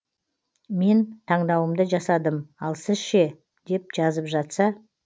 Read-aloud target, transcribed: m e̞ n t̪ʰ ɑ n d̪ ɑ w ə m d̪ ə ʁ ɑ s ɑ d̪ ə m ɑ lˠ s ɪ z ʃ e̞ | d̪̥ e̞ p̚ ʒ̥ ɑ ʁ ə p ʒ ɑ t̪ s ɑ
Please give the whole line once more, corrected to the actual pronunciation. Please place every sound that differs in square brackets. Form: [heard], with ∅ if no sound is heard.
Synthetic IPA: m e̞ n t̪ʰ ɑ [ɴ] d̪ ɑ w ə m d̪ ə [ʒ] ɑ s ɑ d̪ ə m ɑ lˠ s ɪ z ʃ e̞ | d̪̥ e̞ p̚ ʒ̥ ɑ [z] ə p ʒ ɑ t̪ s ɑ

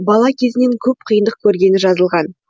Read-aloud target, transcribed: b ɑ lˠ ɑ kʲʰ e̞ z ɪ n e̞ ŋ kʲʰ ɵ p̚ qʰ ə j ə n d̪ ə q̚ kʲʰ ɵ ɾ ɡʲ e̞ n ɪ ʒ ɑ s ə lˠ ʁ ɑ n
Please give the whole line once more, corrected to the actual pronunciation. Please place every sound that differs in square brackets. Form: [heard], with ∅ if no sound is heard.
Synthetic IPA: b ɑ lˠ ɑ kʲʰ e̞ z ɪ n e̞ ŋ kʲʰ ɵ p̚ qʰ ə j ə n d̪ ə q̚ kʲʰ ɵ ɾ ɡʲ e̞ n ɪ ʒ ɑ [z] ə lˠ ʁ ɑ n

